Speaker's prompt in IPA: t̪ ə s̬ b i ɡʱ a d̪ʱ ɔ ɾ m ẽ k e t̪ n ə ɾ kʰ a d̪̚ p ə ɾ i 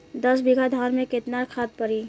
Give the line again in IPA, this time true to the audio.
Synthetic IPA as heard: d̪ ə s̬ b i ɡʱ a d̪ʱ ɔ ɾ m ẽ k e t̪ n a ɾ kʰ a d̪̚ p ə ɾ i